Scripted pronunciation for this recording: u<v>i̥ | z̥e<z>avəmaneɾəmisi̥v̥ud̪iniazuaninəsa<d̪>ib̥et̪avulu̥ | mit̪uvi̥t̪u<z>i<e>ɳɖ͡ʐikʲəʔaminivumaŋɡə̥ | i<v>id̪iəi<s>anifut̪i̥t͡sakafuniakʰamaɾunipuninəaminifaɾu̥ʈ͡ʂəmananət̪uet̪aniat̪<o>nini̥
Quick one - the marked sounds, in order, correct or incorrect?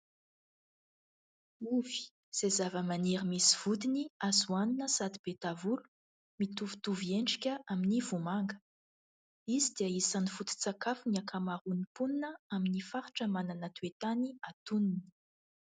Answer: correct, correct, correct, incorrect: v, correct, incorrect: z, correct, incorrect: u

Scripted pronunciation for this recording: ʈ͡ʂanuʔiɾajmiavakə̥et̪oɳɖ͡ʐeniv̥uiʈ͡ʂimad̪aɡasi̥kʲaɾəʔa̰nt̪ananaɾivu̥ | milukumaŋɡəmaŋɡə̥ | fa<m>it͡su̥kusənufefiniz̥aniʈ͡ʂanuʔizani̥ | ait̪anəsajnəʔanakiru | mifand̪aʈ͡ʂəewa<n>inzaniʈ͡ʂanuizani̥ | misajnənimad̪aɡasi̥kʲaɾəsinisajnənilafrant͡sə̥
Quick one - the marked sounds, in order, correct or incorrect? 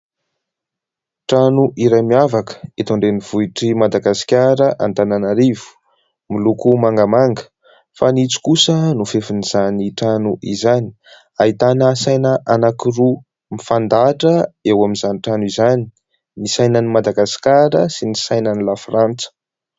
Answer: incorrect: n, incorrect: m

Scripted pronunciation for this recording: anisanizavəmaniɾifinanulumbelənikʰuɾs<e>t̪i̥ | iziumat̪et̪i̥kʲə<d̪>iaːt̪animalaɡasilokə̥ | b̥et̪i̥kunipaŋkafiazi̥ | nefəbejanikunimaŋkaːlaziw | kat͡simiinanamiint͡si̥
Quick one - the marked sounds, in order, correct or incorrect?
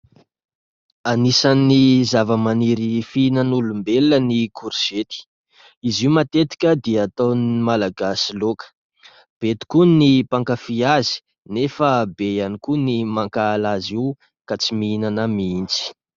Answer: correct, correct

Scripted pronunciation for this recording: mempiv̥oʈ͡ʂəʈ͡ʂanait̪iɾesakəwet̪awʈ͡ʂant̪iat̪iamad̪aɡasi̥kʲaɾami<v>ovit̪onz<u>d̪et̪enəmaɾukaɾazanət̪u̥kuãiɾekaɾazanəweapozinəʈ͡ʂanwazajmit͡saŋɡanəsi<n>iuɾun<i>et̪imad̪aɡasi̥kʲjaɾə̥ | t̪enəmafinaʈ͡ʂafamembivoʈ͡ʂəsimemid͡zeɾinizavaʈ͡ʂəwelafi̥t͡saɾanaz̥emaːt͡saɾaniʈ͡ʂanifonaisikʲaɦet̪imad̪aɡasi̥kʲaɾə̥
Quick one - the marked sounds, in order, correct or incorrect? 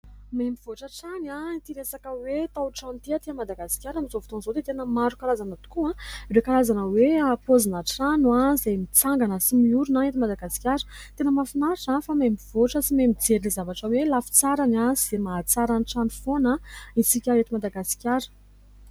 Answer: incorrect: z, incorrect: o, incorrect: m, incorrect: a

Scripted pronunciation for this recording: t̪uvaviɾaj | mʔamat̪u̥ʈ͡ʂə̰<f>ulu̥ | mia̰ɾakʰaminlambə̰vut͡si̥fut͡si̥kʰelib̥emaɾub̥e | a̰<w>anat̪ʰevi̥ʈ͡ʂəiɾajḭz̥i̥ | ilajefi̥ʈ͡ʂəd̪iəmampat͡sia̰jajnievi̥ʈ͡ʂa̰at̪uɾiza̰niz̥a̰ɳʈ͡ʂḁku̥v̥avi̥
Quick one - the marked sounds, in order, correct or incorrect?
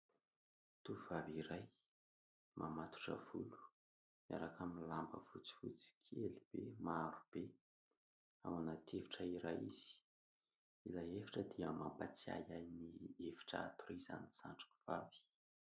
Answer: incorrect: v, correct

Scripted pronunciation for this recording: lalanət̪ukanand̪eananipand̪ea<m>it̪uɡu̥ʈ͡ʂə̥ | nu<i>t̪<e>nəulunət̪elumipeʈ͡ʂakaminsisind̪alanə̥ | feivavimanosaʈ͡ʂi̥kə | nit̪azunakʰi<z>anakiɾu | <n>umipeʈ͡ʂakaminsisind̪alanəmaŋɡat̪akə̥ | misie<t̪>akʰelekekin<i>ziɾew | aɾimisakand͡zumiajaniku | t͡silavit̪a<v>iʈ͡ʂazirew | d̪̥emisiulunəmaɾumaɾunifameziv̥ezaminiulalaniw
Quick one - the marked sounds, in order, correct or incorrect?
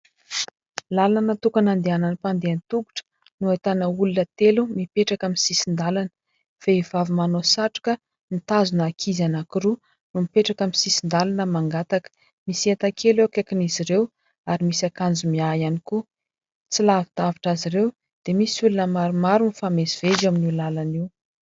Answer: incorrect: n, incorrect: a, incorrect: a, correct, correct, correct, correct, correct

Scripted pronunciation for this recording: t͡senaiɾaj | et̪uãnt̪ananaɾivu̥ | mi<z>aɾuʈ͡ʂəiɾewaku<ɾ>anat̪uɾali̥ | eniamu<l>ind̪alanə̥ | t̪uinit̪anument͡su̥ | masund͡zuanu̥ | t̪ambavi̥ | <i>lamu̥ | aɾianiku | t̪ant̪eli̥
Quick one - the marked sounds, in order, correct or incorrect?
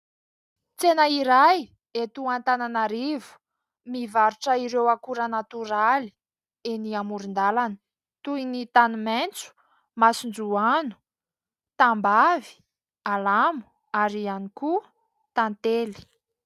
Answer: incorrect: v, correct, incorrect: ɾ, incorrect: a

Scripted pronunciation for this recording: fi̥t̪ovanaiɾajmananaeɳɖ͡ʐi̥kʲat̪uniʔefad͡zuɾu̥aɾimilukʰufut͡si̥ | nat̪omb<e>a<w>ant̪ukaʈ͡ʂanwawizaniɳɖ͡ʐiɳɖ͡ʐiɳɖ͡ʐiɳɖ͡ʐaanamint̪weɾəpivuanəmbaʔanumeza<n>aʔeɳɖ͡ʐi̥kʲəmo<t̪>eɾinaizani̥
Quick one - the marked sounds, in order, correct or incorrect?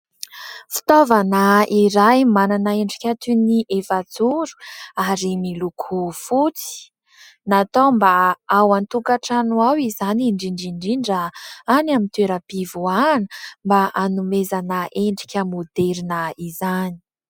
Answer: incorrect: a, correct, correct, incorrect: d̪

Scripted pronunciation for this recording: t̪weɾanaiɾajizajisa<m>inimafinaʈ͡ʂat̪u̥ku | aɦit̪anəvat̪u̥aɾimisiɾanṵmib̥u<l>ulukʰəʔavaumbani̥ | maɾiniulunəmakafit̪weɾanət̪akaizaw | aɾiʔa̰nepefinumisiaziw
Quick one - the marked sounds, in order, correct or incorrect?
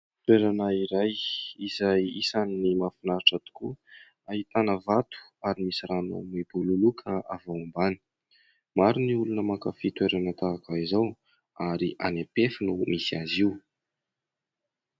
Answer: incorrect: n, correct

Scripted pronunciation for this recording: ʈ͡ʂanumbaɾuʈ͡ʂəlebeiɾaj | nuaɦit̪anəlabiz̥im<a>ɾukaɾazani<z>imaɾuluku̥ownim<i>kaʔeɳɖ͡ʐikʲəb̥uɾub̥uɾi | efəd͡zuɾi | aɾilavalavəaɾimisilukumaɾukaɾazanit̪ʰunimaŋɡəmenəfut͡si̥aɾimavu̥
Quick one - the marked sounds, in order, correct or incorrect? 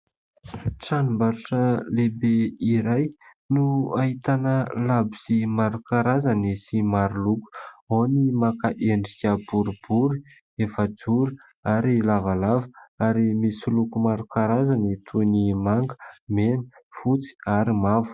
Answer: correct, incorrect: s, incorrect: a

